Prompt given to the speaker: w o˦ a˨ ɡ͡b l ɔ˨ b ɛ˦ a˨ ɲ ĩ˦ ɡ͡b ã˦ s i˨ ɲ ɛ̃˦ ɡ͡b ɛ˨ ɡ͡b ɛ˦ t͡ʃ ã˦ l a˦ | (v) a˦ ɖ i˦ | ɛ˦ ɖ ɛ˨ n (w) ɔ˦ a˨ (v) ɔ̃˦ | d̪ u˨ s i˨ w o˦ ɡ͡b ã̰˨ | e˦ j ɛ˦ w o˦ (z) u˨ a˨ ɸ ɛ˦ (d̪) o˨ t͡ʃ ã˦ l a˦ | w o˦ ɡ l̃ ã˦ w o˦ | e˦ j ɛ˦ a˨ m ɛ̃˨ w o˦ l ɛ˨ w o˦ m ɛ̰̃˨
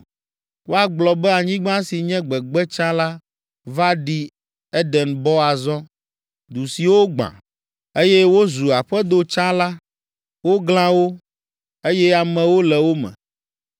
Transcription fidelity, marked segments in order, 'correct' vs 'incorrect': correct, incorrect: b, incorrect: z, correct, correct

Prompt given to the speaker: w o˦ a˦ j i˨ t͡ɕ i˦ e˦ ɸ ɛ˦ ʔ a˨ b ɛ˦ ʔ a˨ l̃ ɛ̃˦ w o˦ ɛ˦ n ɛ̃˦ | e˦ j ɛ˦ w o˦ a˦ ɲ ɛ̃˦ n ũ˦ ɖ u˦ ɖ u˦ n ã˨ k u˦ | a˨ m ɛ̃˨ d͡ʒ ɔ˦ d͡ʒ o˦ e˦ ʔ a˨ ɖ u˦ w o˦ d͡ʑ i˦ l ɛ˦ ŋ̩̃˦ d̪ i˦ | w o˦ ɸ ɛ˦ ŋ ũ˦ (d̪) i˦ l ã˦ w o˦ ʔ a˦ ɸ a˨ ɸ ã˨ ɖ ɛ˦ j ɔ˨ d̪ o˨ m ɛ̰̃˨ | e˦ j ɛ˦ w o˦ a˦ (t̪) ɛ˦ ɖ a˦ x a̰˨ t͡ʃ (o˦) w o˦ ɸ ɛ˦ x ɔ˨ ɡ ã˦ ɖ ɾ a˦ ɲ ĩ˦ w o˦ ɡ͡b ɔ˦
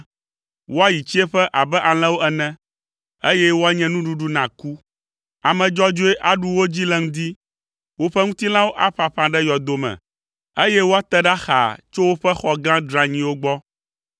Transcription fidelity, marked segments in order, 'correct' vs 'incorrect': incorrect: t̪, correct, correct

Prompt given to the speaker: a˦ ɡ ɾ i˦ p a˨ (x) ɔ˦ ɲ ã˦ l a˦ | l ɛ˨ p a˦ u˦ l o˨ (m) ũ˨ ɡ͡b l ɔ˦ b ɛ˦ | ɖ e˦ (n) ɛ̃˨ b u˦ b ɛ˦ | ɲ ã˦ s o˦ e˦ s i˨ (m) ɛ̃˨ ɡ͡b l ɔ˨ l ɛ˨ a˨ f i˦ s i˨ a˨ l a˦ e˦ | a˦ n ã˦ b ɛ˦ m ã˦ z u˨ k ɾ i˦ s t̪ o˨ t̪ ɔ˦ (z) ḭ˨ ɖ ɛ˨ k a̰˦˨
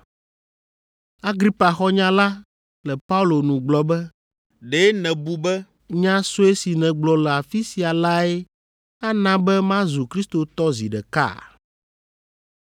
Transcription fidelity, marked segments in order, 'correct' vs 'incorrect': correct, incorrect: n, correct, incorrect: n, correct

